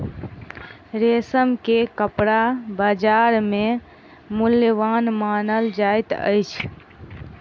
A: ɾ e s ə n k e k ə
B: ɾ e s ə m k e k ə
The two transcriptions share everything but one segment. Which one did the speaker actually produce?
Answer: B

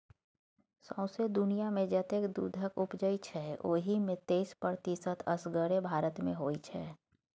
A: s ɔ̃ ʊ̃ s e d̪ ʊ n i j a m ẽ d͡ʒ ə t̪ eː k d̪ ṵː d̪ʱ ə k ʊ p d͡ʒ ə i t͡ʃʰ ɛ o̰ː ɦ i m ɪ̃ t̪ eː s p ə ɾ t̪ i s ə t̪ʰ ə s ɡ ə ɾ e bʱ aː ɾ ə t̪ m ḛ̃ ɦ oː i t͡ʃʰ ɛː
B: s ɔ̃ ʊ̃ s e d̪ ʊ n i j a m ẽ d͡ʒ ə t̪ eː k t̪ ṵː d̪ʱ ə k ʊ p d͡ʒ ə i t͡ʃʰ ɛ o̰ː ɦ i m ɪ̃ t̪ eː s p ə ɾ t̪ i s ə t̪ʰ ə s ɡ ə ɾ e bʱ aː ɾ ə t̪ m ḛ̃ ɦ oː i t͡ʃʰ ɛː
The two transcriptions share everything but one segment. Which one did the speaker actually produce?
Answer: A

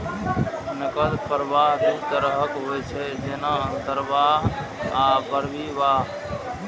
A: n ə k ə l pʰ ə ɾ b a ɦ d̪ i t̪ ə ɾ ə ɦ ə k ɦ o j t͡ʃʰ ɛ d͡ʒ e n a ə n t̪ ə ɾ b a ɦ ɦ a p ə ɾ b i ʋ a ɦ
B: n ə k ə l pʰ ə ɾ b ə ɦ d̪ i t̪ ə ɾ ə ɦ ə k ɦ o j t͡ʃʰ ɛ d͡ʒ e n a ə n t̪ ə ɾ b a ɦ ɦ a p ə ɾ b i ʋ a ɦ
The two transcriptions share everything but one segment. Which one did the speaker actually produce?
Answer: A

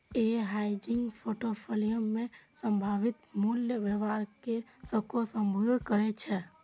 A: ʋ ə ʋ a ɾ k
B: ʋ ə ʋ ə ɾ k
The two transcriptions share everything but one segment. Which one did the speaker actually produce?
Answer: A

